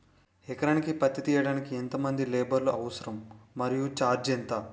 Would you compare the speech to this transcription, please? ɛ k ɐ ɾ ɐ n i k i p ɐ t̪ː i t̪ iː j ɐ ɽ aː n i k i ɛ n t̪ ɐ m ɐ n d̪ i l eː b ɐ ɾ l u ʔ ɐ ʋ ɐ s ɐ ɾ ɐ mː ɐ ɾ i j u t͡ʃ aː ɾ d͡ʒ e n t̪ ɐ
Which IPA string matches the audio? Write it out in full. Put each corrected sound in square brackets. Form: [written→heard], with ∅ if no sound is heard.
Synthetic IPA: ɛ k ɐ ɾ ɐ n i k i p ɐ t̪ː i t̪ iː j ɐ ɽ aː n i k i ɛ n t̪ ɐ m ɐ n d̪ i l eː b ɐ ɾ l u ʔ ɐ ʋ ɐ s ɐ ɾ ɐ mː ɐ ɾ i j u t͡ʃ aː ɾ d͡ʒ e n t̪ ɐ